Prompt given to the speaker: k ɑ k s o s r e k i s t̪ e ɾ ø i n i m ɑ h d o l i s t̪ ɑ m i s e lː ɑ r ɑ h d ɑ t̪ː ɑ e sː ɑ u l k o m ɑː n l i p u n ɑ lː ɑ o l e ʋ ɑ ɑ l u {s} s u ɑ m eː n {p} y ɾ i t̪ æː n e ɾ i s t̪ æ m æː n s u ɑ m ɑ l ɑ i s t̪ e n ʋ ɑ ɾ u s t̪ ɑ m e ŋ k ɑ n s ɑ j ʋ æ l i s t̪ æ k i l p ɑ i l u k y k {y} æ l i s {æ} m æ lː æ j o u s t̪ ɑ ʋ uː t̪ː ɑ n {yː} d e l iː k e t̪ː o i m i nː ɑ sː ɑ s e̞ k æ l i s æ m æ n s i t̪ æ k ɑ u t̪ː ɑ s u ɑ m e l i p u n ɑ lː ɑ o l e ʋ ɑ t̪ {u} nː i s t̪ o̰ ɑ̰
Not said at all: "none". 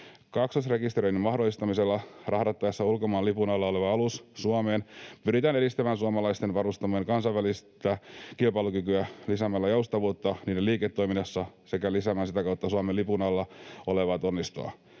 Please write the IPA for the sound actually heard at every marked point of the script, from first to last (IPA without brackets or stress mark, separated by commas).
s, p, y, æ, iː, o